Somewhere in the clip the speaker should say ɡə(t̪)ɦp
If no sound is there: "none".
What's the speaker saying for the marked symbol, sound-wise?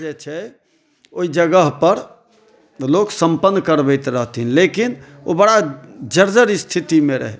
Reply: none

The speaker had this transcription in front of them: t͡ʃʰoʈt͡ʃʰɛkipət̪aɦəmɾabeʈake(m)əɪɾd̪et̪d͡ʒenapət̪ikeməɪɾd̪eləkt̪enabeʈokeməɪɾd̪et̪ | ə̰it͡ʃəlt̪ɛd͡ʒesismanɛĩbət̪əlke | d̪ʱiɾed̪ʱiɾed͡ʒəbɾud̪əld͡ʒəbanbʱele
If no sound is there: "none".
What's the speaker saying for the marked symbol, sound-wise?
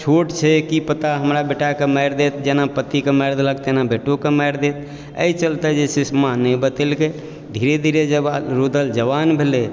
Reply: m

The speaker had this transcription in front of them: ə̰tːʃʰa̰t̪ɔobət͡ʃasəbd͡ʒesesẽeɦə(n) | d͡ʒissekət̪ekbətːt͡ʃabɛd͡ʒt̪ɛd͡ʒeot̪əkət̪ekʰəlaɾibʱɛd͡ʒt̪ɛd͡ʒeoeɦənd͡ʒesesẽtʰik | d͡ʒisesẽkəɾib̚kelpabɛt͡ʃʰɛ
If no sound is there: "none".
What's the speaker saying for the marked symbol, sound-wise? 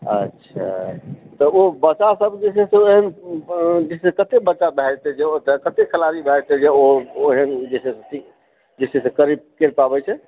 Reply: n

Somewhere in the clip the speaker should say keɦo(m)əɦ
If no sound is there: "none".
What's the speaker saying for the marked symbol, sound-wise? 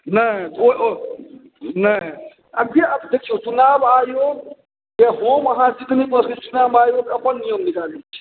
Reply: m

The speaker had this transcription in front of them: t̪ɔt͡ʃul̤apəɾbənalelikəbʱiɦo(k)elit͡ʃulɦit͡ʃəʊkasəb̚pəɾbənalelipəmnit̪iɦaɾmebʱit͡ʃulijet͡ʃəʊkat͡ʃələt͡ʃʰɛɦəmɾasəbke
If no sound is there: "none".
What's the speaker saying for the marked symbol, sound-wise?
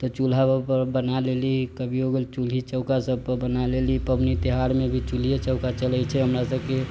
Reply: ɡ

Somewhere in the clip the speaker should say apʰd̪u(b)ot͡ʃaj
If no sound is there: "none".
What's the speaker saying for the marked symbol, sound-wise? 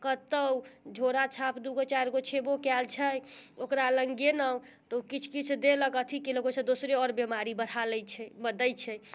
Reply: ɡ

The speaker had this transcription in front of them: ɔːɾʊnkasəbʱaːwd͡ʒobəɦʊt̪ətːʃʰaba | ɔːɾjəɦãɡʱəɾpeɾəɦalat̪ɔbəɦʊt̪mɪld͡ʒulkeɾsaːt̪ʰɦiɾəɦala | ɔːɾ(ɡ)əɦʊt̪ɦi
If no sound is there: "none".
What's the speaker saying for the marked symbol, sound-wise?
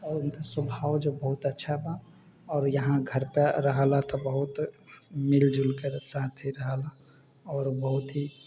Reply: b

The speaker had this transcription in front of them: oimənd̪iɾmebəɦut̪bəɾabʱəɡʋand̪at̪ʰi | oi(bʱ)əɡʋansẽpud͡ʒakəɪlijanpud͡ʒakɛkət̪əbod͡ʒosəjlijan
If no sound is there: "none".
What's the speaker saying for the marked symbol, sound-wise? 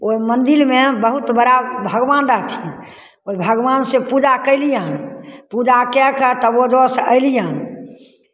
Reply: bʱ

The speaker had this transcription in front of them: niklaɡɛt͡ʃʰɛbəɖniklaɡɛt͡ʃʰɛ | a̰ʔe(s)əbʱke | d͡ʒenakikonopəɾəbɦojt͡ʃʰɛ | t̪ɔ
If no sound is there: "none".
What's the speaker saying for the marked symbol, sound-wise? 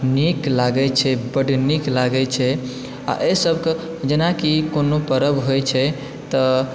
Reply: s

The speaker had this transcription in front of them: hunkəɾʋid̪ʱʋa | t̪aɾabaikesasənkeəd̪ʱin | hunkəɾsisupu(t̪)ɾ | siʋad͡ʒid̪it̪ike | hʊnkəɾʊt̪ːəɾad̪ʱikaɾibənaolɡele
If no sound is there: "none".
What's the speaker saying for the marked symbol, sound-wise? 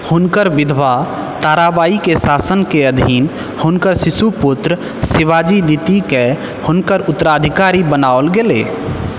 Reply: t̪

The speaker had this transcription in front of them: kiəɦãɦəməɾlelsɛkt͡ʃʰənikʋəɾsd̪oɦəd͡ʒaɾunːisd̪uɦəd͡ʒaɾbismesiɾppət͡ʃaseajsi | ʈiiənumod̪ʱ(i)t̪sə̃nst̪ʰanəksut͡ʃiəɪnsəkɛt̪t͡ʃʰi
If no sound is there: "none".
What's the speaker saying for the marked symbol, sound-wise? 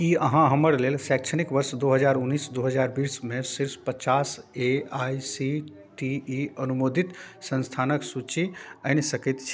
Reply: i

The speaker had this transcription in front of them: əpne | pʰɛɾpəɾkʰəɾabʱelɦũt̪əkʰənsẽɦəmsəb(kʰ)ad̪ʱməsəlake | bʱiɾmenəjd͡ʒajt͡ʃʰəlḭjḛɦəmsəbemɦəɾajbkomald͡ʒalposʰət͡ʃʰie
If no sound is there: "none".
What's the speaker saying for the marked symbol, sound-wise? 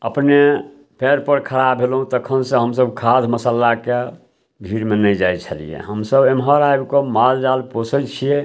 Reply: kʰ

